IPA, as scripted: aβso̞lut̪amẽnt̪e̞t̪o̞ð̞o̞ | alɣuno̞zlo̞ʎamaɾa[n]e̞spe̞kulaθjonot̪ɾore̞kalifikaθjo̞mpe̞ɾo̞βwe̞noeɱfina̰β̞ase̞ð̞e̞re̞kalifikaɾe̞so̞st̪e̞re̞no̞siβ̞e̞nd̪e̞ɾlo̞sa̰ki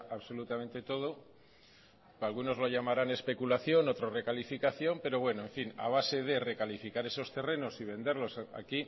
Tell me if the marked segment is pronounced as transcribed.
yes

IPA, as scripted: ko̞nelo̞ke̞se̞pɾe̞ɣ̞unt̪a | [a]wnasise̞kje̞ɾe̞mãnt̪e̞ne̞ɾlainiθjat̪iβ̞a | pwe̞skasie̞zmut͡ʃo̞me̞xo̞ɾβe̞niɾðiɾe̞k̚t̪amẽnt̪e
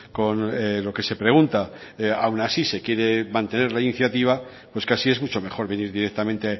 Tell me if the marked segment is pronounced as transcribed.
yes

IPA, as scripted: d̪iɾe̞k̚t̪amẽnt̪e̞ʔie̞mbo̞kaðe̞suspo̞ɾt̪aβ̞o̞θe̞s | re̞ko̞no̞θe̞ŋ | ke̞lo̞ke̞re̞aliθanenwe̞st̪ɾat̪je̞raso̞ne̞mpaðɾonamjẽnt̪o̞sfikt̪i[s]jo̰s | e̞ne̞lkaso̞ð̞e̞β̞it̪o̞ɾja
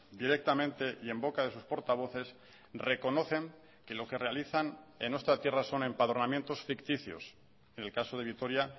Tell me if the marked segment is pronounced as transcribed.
no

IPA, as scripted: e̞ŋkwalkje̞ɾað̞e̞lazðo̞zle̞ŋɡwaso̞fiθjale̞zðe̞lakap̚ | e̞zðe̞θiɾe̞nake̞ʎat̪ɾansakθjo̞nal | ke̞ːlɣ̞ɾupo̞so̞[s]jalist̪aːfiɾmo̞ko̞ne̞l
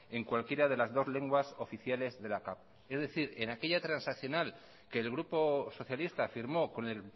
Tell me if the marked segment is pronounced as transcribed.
no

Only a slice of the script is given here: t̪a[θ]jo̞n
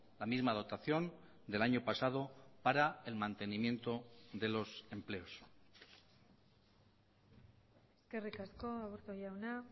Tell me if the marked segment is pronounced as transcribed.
yes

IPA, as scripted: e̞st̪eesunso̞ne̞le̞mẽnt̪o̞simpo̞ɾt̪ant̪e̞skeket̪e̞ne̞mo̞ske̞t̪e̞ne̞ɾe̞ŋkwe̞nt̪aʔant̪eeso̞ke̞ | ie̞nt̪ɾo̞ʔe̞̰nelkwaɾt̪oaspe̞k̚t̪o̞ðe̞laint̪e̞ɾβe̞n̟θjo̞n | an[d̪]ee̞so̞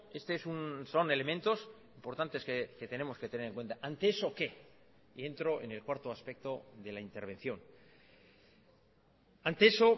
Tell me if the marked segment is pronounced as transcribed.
no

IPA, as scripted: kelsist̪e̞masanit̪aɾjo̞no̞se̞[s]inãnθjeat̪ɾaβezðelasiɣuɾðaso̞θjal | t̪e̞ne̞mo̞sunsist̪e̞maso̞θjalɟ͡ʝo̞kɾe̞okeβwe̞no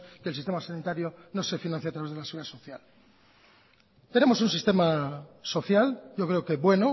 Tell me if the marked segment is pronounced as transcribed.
no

